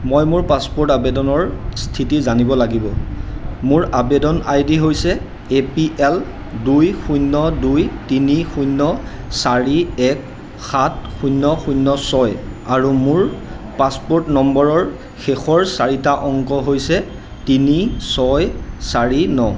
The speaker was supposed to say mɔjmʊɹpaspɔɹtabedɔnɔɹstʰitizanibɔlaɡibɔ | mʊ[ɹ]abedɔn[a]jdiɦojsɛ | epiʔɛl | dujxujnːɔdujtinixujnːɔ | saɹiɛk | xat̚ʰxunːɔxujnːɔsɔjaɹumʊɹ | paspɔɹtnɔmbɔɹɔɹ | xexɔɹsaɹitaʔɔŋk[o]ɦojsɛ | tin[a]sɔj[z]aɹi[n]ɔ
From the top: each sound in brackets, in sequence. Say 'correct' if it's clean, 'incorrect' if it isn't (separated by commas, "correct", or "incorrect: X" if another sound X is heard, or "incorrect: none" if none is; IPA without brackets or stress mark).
correct, correct, incorrect: ɔ, incorrect: i, incorrect: s, correct